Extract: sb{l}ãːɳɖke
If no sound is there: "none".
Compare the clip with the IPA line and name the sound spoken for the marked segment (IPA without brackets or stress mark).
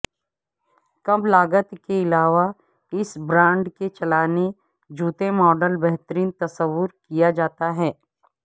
ɾ